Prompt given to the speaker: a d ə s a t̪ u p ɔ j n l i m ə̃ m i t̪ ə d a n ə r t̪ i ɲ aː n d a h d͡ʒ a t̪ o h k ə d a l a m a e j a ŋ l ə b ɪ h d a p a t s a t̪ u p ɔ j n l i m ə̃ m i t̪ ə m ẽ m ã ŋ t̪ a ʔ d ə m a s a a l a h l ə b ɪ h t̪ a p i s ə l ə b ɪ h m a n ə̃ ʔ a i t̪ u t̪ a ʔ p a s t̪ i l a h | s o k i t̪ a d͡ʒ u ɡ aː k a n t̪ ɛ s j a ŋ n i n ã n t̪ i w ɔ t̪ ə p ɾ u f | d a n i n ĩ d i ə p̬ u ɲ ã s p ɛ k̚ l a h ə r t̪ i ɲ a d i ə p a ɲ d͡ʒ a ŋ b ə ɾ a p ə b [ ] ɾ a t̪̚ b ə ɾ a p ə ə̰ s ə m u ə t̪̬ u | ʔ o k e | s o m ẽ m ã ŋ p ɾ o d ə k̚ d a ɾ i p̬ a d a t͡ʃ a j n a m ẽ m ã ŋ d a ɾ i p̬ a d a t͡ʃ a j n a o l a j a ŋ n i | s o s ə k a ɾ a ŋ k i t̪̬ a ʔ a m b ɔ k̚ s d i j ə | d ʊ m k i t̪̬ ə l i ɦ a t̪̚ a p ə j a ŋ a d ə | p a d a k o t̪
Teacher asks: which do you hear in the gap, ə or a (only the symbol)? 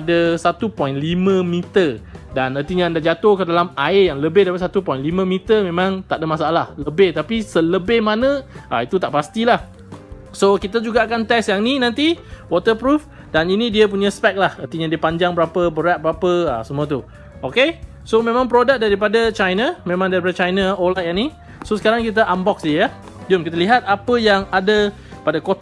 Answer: ə